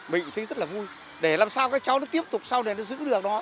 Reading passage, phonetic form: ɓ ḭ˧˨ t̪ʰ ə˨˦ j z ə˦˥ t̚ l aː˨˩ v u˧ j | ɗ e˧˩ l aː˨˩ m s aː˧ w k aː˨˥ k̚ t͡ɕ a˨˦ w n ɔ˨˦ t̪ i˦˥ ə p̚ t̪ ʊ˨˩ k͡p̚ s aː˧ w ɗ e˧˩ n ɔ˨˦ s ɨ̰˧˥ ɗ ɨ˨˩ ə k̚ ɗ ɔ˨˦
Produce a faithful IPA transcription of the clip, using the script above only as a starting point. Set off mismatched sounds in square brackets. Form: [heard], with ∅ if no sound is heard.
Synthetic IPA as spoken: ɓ ḭ˧˨ t̪ʰ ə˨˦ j z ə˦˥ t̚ l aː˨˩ v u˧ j | ɗ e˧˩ l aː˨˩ m s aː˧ w k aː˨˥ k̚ t͡ɕ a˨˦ w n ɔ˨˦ t̪ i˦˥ ə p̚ t̪ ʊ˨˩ k͡p̚ s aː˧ w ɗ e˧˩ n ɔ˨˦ [z] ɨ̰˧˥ ɗ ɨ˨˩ ə k̚ ɗ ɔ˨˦